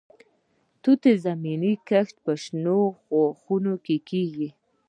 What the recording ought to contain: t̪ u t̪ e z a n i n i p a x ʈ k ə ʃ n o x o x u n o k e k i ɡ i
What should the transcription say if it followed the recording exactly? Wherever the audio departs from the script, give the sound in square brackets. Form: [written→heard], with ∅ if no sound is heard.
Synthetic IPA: t̪ u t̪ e z a [n→m] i n i [p→k] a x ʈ [k→p] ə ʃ n o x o x u n o k e k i ɡ i